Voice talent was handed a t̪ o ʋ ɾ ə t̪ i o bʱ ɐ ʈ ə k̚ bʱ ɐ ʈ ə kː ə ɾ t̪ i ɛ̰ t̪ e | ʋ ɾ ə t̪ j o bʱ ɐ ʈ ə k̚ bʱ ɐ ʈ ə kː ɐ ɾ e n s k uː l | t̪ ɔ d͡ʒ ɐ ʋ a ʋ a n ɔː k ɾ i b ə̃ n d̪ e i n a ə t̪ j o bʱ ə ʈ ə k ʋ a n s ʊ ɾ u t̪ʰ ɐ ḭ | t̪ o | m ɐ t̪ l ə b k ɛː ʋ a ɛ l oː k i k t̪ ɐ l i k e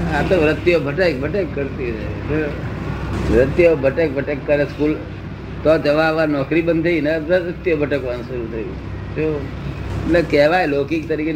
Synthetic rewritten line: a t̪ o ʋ ɾ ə t̪ j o bʱ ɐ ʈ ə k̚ bʱ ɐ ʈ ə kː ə ɾ t̪ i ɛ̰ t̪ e | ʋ ɾ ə t̪ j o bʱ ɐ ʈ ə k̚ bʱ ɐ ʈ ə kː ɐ ɾ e s k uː l | t̪ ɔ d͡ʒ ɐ ʋ a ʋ a n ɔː k ɾ i b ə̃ n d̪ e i n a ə t̪ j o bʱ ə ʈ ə k ʋ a n s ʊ ɾ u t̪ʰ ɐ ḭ | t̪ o | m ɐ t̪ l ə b k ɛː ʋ a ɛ l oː k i k t̪ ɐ ɾ i k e